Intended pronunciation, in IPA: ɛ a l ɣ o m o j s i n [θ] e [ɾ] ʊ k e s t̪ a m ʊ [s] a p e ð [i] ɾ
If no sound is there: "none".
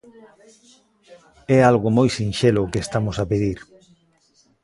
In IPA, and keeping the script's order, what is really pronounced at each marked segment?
ʃ, l, s, i

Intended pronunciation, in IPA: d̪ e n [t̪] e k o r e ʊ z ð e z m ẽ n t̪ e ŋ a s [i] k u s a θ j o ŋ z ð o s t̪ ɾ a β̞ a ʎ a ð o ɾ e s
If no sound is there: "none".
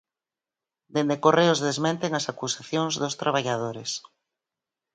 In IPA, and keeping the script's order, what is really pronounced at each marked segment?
d̪, a

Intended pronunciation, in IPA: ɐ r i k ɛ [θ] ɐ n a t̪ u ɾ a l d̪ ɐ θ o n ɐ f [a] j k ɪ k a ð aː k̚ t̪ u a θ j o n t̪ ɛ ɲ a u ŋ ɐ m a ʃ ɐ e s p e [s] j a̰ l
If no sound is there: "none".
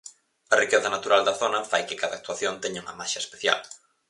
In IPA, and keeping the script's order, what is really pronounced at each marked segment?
θ, a, θ

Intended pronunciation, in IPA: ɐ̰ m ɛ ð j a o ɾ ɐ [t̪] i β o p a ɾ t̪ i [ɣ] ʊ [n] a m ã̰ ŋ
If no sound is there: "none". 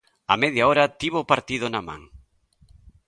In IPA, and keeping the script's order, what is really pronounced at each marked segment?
t̪, ð, n

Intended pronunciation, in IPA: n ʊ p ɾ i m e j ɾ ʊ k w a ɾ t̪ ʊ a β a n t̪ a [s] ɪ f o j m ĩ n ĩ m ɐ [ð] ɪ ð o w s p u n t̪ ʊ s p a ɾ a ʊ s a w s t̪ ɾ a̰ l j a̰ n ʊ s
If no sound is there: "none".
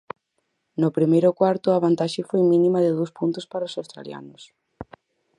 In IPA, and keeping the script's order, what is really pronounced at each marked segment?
ʃ, ð

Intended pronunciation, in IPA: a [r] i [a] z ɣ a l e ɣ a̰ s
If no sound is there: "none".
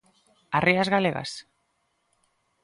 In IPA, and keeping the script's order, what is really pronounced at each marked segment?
r, a

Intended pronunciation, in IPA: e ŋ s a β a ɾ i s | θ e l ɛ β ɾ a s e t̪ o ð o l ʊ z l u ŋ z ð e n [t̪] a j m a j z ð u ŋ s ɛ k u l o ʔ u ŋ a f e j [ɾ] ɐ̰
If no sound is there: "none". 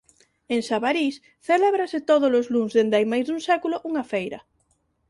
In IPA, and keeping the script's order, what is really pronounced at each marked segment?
d̪, ɾ

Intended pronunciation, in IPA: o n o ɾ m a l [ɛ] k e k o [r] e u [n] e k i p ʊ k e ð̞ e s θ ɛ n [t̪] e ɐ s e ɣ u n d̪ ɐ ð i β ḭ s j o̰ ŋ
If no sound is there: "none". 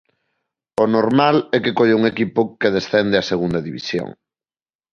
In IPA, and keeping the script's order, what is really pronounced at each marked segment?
ɛ, ʎ, ŋ, d̪

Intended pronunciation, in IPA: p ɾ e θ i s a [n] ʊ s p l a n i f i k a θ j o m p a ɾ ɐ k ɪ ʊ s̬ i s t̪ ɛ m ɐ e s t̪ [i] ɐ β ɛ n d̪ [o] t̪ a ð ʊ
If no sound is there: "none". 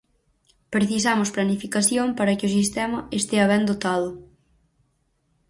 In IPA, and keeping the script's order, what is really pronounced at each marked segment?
m, e, o

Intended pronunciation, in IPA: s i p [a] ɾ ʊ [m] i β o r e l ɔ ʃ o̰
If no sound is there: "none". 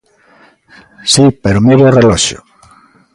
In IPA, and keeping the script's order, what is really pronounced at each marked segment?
e, m

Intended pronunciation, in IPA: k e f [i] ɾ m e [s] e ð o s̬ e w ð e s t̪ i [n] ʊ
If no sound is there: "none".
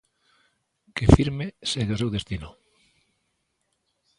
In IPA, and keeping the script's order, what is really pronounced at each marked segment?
i, s, n

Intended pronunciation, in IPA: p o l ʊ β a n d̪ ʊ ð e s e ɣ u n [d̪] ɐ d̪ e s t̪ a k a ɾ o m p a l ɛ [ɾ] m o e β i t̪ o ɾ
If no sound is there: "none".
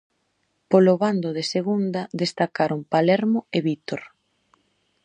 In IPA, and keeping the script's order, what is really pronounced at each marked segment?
d̪, ɾ

